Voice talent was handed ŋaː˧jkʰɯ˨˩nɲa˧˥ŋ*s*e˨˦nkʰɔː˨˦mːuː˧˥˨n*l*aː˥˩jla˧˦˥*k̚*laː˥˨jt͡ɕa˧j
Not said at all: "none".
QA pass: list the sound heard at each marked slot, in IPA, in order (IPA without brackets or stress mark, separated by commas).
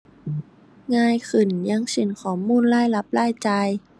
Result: s, l, p̚